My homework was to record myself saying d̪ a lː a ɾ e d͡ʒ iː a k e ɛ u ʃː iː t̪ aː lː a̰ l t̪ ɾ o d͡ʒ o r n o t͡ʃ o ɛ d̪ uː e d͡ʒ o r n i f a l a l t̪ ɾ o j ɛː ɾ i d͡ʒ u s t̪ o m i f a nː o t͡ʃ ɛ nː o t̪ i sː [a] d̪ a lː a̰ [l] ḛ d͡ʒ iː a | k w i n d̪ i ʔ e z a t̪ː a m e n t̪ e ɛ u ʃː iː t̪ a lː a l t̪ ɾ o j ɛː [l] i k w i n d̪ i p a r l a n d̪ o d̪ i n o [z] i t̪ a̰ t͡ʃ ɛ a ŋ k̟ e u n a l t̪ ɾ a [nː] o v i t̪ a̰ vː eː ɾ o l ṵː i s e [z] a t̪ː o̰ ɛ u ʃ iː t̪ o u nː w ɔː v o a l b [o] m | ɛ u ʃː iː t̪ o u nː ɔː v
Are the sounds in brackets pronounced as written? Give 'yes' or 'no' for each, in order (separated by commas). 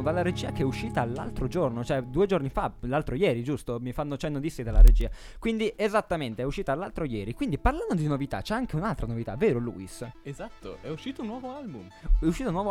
no, no, no, no, no, yes, no